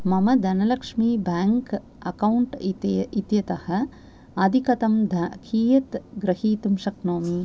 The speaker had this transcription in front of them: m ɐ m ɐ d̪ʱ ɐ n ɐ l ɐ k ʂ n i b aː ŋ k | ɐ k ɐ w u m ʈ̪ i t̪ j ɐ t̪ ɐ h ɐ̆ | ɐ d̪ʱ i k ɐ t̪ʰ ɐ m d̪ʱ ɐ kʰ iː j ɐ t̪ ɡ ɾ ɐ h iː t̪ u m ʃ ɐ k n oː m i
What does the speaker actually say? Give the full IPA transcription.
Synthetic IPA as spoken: m ɐ m ɐ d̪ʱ ɐ n ɐ l ɐ k ʂ m i b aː ŋ k | ɐ k ɐ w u ɳ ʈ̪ i t̪ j ɐ t̪ ɐ h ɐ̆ | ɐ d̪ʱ i k ɐ t̪ ɐ m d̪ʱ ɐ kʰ iː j ɐ t̪ ɡ ɾ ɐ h iː t̪ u m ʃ ɐ k n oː m i